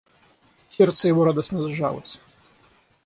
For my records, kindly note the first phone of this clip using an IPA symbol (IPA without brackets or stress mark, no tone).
sʲ